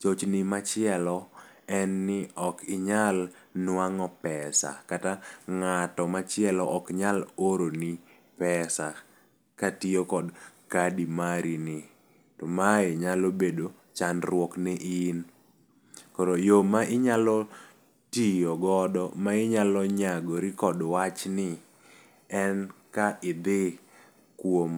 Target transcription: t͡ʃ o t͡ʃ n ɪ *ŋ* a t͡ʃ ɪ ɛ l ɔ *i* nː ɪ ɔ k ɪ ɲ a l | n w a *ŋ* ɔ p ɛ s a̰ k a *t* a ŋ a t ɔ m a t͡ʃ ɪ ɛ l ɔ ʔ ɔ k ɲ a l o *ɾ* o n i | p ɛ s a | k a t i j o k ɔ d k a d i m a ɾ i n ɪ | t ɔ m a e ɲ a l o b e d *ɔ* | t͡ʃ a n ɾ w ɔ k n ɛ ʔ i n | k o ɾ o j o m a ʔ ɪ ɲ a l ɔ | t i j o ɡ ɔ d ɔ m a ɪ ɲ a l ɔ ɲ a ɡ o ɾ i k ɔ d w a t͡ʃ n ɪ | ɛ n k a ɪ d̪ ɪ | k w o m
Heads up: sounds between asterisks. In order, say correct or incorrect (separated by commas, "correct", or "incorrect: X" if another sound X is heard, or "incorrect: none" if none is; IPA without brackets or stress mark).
incorrect: m, incorrect: ɛ, correct, correct, correct, incorrect: o